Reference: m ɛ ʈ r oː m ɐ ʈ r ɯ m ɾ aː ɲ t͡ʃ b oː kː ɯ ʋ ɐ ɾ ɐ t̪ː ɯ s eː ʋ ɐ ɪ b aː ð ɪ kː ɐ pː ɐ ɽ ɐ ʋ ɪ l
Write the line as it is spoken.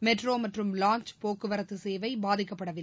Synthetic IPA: m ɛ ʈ r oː m ɐ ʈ r ɯ m l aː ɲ t͡ʃ p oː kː ɯ ʋ ɐ ɾ ɐ t̪ː ɯ s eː ʋ ɐ ɪ b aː ð ɪ kː ɐ pː ɐ ɽ ɐ ʋ ɪ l

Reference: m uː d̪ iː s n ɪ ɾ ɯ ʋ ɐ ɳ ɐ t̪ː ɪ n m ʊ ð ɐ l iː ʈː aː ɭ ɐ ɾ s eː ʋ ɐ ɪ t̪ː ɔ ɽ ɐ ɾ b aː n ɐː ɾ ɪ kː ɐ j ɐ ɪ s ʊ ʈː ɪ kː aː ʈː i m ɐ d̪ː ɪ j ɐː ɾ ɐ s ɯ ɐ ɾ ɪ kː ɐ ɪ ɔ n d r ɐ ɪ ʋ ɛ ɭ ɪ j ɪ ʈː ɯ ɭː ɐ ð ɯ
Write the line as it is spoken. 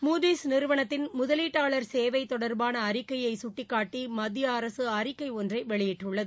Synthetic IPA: m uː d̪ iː s n ɪ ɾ ɯ ʋ ɐ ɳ ɐ t̪ː ɪ n m ʊ ð ɐ l iː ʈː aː ɭ ɐ ɾ s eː ʋ ɐ ɪ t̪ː ɔ ɽ ɐ ɾ b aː n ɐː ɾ ɪ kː ɐ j ɐ ɪ s ʊ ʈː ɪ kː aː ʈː i m ɐ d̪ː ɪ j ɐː ɾ ɐ s ɯ ɐ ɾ ɪ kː ɐ ɪ ɔ n d r ɐ ɪ ʋ ɛ ɭ ɪ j ɪ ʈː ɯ ɭː ɐ ð ɯ

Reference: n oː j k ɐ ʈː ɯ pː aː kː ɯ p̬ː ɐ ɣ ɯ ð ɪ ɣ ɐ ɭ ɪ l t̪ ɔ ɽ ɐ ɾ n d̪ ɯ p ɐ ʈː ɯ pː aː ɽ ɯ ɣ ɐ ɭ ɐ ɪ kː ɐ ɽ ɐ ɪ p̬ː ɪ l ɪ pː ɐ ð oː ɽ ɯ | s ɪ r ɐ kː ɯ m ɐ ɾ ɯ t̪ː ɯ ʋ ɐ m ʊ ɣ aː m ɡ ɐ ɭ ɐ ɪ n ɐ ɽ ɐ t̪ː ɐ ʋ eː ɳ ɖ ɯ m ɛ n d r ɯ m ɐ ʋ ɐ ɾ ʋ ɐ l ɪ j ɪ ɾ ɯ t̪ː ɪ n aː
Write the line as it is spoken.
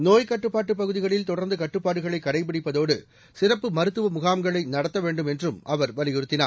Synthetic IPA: n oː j k ɐ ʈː ɯ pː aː ʈː ɯ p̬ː ɐ ɣ ɯ ð ɪ ɣ ɐ ɭ ɪ l t̪ ɔ ɽ ɐ ɾ n d̪ ɯ k ɐ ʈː ɯ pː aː ɽ ɯ ɣ ɐ ɭ ɐ ɪ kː ɐ ɽ ɐ ɪ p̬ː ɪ ɽ ɪ pː ɐ ð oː ɽ ɯ | s ɪ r ɐ pː ɯ m ɐ ɾ ɯ t̪ː ɯ ʋ ɐ m ʊ ɣ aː m ɡ ɐ ɭ ɐ ɪ n ɐ ɽ ɐ t̪ː ɐ ʋ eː ɳ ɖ ɯ m ɛ n d r ɯ m ɐ ʋ ɐ ɾ ʋ ɐ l ɪ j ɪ ɾ ɯ t̪ː ɪ n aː

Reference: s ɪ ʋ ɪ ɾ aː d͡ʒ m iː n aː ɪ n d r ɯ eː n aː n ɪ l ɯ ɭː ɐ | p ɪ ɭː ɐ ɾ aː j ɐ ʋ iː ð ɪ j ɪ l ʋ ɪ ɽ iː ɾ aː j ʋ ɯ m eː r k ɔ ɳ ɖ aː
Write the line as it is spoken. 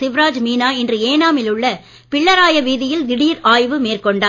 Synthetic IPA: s ɪ ʋ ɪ ɾ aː d͡ʒ m iː n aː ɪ n d r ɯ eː n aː m ɪ l ɯ ɭː ɐ | p ɪ ɭː ɐ ɾ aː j ɐ ʋ iː ð ɪ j ɪ l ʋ ɪ ɽ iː ɾ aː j ʋ ɯ m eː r k ɔ ɳ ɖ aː

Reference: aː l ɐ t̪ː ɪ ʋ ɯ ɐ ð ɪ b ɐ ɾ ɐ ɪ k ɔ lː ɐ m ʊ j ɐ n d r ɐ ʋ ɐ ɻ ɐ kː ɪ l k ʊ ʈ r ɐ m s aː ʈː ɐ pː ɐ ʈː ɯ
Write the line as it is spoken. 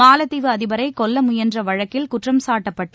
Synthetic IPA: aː l ɐ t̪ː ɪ ʋ ɯ ɐ ð ɪ b ɐ ɾ ɐ ɪ k ɔ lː ɐ m ʊ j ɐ n d r ɐ ʋ ɐ ɻ ɐ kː ɪ l k ʊ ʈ r ɐ m s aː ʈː ɐ pː ɐ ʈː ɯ

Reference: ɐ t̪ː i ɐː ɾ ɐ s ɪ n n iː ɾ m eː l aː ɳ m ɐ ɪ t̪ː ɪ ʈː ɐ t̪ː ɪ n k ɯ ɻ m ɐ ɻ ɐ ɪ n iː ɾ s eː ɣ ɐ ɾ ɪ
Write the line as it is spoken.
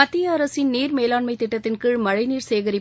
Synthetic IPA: ɐ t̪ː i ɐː ɾ ɐ s ɪ n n iː ɾ m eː l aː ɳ m ɐ ɪ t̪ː ɪ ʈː ɐ t̪ː ɪ n k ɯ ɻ m ɐ ɻ ɐ ɪ n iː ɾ s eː ɣ ɐ ɾ ɪ

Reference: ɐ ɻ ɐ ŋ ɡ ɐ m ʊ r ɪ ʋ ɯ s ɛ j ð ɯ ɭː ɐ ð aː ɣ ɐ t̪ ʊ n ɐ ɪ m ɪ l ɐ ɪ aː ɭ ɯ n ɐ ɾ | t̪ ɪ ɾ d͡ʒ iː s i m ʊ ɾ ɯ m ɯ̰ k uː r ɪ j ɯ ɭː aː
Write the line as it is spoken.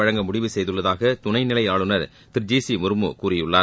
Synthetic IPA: ɐ ɻ ɐ ŋ ɡ ɐ m ʊ ɽ ɪ ʋ ɯ s ɛ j ð ɯ ɭː ɐ ð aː ɣ ɐ t̪ ʊ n ɐ ɪ n ɪ l ɐ ɪ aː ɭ ɯ n ɐ ɾ | t̪ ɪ ɾ d͡ʒ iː s i m ʊ ɾ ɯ m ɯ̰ k uː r ɪ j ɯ ɭː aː

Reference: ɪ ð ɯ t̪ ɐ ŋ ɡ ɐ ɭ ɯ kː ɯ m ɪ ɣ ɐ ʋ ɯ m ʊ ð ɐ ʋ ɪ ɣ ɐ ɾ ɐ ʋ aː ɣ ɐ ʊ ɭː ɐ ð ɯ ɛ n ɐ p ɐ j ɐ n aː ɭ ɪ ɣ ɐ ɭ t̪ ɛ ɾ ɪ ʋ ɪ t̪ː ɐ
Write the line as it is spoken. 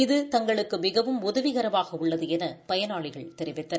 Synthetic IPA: ɪ ð ɯ t̪ ɐ ŋ ɡ ɐ ɭ ɯ kː ɯ m ɪ ɣ ɐ ʋ ɯ m ʊ ð ɐ ʋ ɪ ɣ ɐ ɾ ɐ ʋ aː ɣ ɐ ʊ ɭː ɐ ð ɯ ɛ n ɐ p ɐ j ɐ n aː ɭ ɪ ɣ ɐ ɭ t̪ ɛ ɾ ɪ ʋ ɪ t̪ː ɐ

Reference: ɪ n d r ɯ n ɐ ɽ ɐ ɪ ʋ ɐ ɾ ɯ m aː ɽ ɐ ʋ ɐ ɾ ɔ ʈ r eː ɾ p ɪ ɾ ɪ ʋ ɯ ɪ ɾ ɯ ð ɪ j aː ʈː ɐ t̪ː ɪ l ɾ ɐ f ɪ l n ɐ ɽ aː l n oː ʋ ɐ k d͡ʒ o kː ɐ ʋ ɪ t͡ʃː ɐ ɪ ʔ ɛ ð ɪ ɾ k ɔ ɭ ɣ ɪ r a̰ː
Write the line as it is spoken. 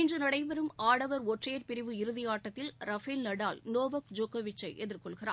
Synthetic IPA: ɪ n d r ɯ n ɐ ɽ ɐ ɪ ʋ ɐ ɾ ɯ m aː ɽ ɐ ʋ ɐ ɾ ɔ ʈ r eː ɾ p ɪ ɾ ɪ ʋ ɯ ɪ ɾ ɯ ð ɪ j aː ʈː ɐ t̪ː ɪ l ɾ ɐ f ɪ l n ɐ ɽ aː l n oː ʋ ɐ k d͡ʒ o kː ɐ ʋ ɪ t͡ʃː ɐ ɪ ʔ ɛ ð ɪ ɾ k ɔ ɭ ɣ ɪ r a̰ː

